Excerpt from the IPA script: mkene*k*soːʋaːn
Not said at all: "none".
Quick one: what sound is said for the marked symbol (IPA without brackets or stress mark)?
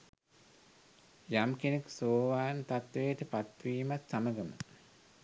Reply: k